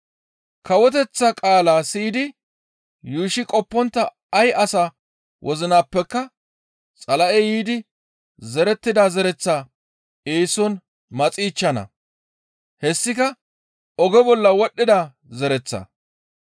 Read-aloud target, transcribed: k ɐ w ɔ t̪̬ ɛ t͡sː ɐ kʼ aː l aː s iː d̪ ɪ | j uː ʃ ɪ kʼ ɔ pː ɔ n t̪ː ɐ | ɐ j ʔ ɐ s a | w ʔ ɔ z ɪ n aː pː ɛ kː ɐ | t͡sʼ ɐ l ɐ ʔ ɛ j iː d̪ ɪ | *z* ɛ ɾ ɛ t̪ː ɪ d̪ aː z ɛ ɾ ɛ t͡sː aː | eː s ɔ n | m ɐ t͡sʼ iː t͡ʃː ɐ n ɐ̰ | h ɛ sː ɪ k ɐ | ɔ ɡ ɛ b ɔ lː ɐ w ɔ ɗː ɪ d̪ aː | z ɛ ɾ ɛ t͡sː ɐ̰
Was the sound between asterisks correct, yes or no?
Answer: yes